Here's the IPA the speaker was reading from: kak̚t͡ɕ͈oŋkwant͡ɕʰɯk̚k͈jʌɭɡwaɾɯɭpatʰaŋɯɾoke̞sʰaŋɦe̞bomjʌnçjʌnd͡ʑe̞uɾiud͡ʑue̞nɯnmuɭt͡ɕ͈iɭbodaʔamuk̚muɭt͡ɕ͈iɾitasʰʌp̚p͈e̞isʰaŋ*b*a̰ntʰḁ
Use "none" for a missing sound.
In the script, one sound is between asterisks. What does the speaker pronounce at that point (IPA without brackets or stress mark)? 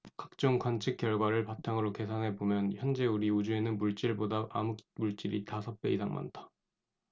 m